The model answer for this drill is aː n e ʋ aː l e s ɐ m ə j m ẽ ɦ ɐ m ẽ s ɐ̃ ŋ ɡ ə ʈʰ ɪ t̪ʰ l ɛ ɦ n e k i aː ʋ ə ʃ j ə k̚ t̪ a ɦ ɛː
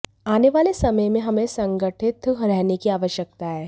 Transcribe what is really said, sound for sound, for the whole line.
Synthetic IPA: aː n e ʋ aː l e s ɐ m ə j m ẽ ɦ ɐ m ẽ s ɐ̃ ŋ ɡ ə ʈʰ ɪ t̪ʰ ɾ ɛ ɦ n e k i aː ʋ ə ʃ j ə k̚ t̪ a ɦ ɛː